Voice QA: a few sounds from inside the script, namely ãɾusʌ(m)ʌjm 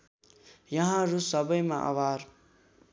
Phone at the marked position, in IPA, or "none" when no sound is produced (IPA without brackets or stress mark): b